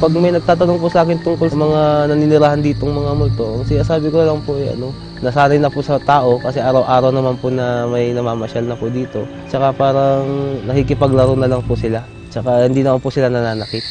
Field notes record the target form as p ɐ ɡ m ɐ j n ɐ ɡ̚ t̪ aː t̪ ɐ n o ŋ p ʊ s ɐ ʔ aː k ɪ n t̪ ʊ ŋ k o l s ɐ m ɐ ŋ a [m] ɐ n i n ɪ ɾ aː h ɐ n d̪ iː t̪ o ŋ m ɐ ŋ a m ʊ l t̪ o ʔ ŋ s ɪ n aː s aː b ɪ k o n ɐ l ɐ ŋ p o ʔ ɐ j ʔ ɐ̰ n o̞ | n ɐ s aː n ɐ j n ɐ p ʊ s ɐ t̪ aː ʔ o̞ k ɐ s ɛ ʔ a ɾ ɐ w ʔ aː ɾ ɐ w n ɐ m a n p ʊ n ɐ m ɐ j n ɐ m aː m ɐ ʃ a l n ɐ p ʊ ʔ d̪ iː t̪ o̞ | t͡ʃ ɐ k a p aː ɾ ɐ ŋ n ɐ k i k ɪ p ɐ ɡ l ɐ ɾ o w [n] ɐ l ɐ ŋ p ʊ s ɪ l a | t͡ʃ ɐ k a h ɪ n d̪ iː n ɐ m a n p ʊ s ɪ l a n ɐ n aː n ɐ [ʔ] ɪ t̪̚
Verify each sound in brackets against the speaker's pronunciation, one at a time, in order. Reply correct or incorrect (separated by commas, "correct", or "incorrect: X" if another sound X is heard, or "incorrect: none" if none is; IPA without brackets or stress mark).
incorrect: n, correct, incorrect: k